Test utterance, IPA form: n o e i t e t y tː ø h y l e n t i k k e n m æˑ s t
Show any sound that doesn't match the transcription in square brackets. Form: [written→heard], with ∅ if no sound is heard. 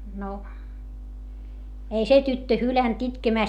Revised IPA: n o e i [t→s] e t y tː ø h y l [e→æ] n t i [k→t] k e [n→∅] m æˑ s t

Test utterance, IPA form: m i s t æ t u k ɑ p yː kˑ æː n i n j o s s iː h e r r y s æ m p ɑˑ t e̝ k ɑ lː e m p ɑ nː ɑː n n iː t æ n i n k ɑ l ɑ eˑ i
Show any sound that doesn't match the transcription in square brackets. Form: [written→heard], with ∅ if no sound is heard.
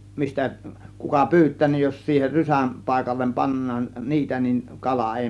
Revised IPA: m i s t æ [t→k] u k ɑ p yː [kˑ→tˑ] æː n i n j o s s iː h e r r y s æ m p ɑˑ [t→∅] e̝ k ɑ lː e m p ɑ nː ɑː n n iː t æ n i n k ɑ l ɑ eˑ i

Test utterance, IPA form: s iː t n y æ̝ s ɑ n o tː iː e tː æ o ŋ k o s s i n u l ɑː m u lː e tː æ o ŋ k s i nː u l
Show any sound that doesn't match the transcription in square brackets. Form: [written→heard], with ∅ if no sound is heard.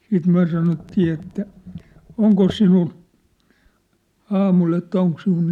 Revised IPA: s iː t [n→m] y æ̝ s ɑ n o tː iː e tː æ o ŋ k o s s i n u l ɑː m u [lː→l] e tː æ o ŋ k s i [nː→n] u l

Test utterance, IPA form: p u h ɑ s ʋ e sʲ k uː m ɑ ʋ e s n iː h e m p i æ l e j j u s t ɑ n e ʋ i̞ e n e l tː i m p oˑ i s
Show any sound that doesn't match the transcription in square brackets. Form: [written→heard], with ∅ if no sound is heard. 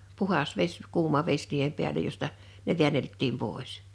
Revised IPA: p u h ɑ s ʋ e sʲ k uː m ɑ ʋ e s n iː h e m p i æ l e j j [u→o] s t ɑ n e ʋ i̞ [e→æ] n e l tː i m p oˑ i s

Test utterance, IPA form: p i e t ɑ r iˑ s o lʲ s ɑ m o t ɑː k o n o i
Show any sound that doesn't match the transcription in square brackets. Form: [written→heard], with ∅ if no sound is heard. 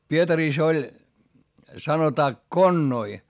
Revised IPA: p i e t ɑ r iˑ s o lʲ s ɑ [m→n] o t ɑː k o [n→nː] o i

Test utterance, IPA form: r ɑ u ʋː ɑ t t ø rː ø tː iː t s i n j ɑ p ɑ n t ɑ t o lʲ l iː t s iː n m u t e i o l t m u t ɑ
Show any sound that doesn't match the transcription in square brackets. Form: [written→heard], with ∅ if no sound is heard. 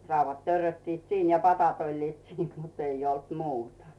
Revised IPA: r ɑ u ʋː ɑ t t ø rː ø tː iː t s [i→iː] n j ɑ p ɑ [n→∅] t ɑ t o lʲ l iː t s iː n m u t e i o l t m [u→uː] t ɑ

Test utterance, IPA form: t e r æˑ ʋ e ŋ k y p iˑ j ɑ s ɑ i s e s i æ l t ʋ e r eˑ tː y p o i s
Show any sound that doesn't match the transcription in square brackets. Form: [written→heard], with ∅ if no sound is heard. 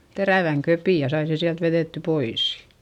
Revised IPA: t e r æˑ ʋ [e→æ] ŋ k [y→ø] p iˑ j ɑ s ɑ i s e s i æ l t ʋ e r eˑ tː y p o i s

